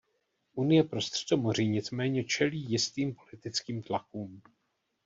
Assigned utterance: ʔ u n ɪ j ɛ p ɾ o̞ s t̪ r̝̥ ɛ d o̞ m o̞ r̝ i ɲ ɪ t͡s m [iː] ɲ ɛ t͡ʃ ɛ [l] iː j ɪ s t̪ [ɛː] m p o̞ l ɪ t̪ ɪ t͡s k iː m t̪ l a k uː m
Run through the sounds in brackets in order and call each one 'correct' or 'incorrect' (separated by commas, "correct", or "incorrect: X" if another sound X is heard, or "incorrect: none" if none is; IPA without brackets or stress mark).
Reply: incorrect: ɛː, correct, incorrect: iː